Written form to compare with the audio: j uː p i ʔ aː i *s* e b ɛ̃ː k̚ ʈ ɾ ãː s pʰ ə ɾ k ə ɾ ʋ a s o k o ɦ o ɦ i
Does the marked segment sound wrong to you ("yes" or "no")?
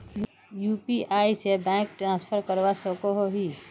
no